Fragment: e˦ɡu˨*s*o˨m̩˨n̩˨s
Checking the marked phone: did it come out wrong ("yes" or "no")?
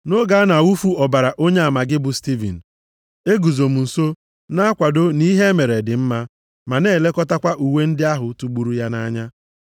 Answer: yes